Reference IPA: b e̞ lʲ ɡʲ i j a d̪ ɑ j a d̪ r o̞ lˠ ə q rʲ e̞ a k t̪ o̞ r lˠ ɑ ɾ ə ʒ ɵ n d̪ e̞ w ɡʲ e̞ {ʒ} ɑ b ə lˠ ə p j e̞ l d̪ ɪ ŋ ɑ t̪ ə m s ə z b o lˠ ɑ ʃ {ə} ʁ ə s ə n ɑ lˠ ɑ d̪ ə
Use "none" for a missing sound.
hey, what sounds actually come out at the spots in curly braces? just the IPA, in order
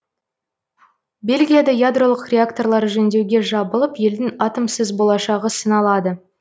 ʒ, ɑ

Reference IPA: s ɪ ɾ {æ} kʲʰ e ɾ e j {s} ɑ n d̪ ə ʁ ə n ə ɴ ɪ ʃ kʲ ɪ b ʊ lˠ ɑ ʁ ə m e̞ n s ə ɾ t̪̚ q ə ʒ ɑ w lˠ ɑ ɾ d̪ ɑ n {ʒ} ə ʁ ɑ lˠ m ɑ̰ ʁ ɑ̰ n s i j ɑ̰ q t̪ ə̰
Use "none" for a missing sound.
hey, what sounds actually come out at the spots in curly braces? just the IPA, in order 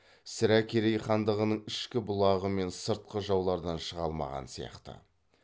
æ, χ, ʃ

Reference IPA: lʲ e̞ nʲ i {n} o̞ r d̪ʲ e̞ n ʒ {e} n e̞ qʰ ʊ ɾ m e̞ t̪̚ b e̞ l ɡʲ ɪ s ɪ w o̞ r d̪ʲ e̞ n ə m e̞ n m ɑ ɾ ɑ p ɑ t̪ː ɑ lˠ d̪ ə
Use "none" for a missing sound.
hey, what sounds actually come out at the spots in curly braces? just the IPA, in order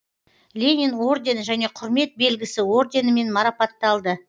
n, æ

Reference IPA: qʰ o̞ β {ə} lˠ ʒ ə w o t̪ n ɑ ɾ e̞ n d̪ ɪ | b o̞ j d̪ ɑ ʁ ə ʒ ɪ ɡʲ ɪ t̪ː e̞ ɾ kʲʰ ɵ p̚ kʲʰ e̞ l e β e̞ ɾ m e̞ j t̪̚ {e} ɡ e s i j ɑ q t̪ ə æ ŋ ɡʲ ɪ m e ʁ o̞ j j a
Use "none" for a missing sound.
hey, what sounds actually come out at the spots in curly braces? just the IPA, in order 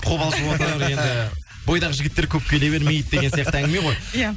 ɑ, e

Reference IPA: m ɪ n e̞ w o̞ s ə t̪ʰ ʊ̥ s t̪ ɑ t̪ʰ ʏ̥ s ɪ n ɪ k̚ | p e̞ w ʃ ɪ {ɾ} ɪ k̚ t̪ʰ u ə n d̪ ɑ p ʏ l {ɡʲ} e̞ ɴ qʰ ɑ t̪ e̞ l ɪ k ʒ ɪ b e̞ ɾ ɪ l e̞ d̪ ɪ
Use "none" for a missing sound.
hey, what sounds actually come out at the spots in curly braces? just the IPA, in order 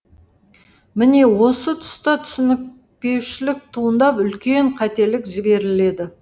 l, kʲ

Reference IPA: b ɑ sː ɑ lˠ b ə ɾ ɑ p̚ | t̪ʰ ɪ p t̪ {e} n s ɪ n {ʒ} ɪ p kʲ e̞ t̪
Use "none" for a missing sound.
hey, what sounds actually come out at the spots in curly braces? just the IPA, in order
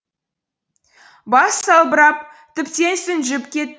e, ʒ

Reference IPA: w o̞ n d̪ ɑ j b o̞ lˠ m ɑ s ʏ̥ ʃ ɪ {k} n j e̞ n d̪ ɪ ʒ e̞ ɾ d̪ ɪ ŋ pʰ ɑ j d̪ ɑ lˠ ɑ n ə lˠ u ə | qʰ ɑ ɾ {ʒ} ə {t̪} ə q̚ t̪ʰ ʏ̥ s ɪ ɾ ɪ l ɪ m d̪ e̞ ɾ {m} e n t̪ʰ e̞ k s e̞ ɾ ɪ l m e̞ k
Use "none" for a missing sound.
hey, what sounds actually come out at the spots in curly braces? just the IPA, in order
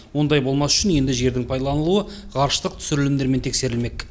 none, ʃ, t̪, m

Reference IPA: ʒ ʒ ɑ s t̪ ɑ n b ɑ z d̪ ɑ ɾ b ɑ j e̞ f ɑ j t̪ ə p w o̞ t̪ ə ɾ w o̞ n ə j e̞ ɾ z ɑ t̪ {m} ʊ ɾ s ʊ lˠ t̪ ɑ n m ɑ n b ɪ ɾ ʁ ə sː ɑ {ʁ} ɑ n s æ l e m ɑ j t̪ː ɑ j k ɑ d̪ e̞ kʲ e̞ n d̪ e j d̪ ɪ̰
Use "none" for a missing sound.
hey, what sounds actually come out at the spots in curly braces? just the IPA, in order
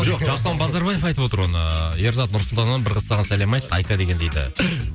n, ʁ

